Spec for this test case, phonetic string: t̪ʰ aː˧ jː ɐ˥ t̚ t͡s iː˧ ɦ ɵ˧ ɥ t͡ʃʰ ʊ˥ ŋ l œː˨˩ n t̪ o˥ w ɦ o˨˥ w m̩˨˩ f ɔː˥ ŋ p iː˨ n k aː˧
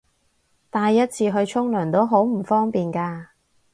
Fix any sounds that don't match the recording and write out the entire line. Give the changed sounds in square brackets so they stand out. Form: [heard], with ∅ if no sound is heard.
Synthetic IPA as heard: [t̪] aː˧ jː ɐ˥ t̚ [t͡sʰ] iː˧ ɦ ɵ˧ ɥ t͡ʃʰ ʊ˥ ŋ l œː˨˩ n t̪ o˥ w ɦ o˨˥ w m̩˨˩ f ɔː˥ ŋ p iː˨ n k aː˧